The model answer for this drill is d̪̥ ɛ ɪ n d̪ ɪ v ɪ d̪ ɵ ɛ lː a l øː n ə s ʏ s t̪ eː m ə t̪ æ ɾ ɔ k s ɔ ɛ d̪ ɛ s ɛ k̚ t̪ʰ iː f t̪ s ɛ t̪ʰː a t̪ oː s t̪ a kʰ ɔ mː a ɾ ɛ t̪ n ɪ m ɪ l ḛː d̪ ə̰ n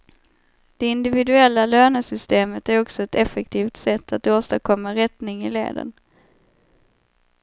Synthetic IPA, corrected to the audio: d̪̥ ɛ ɪ n d̪ ɪ v ɪ d̪ ɵ ɛ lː a l øː n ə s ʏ s t̪ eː m ə t̪ æ ɾ ɔ k s ɔ ɛ t̪ ɛ f ɛ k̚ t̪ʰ iː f t̪ s ɛ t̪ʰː a t̪ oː s t̪ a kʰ ɔ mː a ɾ ɛ t̪ n ɪ ŋ ɪ l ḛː d̪ ə̰ n